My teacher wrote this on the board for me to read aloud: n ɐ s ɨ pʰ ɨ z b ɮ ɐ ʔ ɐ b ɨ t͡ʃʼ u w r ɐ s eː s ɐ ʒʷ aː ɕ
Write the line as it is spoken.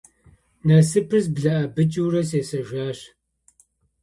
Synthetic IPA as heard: n ɐ s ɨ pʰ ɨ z b ɮ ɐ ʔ ɐ b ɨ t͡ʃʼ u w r ɐ s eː s ɐ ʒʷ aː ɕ